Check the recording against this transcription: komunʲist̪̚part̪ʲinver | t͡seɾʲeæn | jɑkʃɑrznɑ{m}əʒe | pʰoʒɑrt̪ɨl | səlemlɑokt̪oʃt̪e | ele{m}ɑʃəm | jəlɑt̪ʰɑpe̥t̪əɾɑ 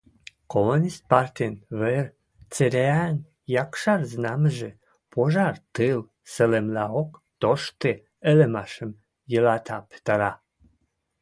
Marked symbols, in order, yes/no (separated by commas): yes, yes